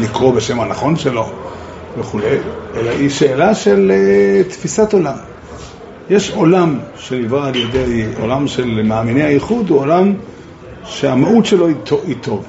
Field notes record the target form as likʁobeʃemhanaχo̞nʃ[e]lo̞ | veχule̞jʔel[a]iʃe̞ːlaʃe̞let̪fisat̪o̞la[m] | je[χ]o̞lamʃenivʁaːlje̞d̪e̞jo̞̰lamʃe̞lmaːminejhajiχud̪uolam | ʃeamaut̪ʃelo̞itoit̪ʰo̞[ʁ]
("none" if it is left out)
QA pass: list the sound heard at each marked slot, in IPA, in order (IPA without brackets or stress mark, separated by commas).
e, a, m, ʃ, v